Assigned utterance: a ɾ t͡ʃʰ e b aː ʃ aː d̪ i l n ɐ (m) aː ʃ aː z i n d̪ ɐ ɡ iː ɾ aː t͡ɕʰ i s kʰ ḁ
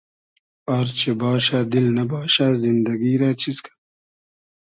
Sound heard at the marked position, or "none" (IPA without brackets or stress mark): b